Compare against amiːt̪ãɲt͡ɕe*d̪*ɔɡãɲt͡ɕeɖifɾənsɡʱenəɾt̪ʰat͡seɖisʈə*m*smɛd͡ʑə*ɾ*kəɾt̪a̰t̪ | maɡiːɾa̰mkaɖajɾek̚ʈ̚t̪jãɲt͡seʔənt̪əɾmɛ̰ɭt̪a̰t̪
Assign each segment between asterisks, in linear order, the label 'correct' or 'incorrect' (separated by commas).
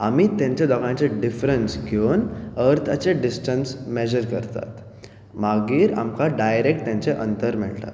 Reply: correct, incorrect, correct